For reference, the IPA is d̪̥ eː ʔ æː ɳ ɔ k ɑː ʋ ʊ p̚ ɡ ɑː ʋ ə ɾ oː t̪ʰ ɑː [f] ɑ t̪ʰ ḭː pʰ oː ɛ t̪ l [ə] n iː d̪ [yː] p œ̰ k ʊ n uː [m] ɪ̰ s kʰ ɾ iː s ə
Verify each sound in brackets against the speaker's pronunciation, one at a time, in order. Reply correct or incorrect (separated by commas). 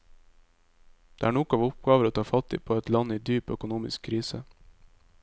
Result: correct, incorrect, correct, correct